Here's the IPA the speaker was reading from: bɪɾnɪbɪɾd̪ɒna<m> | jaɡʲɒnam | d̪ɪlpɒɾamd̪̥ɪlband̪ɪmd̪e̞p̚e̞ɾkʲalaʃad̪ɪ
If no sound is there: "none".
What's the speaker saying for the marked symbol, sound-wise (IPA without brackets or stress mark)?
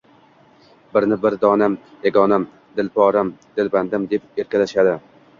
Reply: m